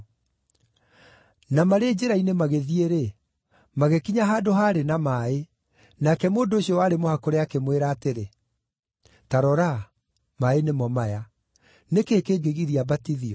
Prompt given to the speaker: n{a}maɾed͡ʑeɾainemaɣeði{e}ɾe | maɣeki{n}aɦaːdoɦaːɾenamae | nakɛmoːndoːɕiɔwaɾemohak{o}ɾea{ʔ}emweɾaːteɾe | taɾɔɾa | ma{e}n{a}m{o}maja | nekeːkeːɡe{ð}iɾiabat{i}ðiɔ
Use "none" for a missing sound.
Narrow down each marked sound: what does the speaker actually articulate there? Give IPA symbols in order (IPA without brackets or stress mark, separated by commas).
a, e, ɲ, o, k, e, e, ɔ, ɣ, i